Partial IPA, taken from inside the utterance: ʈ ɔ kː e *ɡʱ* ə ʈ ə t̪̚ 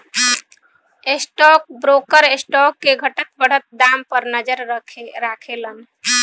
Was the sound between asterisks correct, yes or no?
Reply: yes